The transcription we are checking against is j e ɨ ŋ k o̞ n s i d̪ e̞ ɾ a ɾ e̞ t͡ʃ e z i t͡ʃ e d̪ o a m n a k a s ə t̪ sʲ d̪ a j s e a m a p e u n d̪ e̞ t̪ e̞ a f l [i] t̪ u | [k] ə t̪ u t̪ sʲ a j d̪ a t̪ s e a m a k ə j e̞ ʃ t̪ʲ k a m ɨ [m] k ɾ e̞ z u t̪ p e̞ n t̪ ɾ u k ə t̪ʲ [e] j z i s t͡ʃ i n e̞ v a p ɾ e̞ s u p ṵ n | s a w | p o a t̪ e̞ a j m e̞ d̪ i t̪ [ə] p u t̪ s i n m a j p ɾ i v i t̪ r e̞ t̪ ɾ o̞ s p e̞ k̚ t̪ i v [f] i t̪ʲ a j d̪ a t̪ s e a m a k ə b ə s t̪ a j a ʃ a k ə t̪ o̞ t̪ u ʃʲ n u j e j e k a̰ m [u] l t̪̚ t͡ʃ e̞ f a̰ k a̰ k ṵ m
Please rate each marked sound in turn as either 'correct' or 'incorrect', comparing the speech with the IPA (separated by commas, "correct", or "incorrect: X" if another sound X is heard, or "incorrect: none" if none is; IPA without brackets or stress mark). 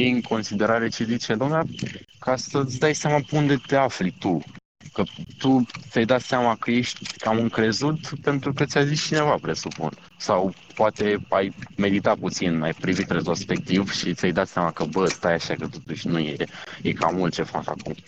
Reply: correct, correct, incorrect: ŋ, incorrect: a, incorrect: a, incorrect: ʃ, correct